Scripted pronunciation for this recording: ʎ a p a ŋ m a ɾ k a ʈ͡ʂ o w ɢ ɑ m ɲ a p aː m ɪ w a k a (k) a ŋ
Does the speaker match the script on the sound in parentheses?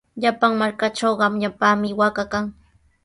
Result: yes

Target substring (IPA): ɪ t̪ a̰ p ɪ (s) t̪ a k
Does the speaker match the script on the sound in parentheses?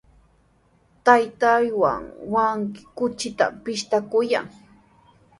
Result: no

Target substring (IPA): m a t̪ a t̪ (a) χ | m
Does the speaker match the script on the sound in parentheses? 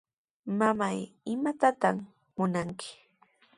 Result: yes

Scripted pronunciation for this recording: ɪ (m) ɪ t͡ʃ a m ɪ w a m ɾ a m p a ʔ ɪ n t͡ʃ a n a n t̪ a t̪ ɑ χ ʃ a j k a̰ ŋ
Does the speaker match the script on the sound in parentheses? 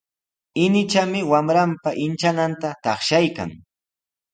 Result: no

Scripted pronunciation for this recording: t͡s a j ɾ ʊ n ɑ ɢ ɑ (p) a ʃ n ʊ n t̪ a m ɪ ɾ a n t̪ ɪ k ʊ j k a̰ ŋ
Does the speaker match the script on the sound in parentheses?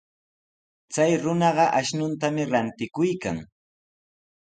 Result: no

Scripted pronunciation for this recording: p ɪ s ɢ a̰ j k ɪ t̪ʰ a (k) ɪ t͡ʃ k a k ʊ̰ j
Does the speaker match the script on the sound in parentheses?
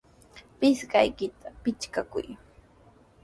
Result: no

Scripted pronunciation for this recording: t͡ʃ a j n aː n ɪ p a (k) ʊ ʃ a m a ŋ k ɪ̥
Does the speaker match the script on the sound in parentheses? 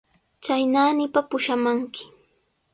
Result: no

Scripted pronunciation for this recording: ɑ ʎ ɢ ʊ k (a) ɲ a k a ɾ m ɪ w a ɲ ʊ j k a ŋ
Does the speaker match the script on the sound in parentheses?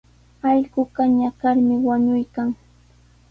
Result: yes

